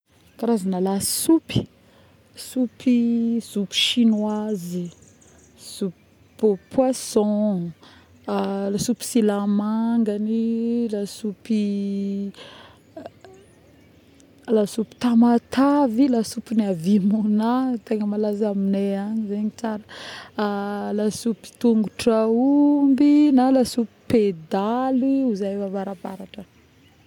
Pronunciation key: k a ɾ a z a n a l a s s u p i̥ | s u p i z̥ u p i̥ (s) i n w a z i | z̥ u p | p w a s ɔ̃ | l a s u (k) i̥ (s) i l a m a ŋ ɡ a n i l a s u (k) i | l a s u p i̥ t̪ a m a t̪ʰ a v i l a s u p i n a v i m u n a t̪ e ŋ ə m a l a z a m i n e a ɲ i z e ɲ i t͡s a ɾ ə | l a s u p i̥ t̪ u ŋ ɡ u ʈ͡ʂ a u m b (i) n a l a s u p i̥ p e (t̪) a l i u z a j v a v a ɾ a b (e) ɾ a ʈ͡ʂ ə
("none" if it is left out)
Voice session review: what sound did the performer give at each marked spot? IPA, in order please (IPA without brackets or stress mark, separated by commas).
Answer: ʃ, p, s, p, i, d̪, a